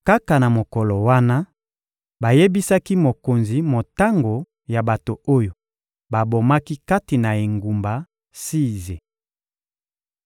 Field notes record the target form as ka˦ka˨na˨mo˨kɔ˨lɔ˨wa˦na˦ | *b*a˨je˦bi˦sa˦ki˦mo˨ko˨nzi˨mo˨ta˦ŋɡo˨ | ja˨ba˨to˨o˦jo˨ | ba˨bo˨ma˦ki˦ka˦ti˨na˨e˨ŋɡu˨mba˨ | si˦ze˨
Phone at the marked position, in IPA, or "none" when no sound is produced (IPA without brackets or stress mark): b